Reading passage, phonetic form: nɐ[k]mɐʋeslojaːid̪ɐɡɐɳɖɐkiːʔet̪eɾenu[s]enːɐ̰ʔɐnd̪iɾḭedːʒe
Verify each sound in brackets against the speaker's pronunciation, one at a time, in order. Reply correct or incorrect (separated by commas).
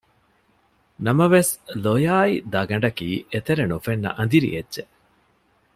incorrect, incorrect